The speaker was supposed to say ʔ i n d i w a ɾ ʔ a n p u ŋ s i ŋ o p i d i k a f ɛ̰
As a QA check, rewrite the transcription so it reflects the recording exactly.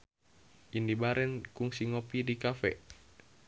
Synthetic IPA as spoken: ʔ i n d i b a ɾ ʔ ɛ n k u ŋ s i ŋ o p i d i k a f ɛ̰